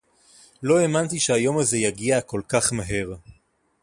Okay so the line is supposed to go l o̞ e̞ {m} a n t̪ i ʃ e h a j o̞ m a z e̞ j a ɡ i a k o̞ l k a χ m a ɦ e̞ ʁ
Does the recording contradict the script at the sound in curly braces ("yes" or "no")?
no